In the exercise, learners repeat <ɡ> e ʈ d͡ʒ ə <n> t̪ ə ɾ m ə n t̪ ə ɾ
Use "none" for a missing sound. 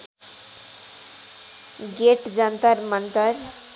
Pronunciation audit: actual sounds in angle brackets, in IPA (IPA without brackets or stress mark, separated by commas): ɡ, n